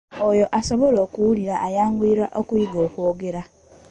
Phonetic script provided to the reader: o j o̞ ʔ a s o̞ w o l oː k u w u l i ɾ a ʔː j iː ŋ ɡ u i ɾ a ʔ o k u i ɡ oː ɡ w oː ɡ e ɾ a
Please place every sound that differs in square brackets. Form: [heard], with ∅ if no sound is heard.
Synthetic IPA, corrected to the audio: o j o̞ ʔ a s o̞ [β] o l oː k u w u l i ɾ a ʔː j [aː] ŋ ɡ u i ɾ a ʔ o k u i ɡ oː [k] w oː ɡ e ɾ a